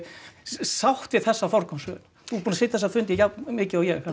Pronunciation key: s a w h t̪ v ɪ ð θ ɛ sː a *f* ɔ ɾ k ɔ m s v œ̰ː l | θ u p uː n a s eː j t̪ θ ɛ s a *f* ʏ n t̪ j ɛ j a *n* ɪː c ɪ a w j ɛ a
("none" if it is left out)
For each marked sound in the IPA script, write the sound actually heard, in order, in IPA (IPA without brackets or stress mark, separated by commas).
f, f, m